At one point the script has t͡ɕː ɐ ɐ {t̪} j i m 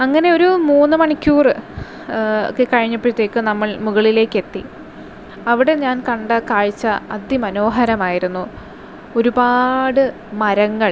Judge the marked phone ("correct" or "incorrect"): incorrect